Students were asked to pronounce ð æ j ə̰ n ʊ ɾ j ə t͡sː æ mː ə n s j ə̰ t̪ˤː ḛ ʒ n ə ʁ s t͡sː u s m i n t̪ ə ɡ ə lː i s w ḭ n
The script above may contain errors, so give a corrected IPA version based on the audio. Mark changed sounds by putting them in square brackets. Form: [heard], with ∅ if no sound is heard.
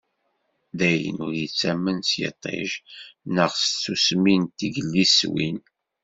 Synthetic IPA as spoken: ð æ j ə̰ n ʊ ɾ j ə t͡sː æ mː ə n s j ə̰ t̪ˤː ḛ ʒ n ə ʁ s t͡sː u s m i n t̪ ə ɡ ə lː i s w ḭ n